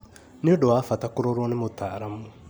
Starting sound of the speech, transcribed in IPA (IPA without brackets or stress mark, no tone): n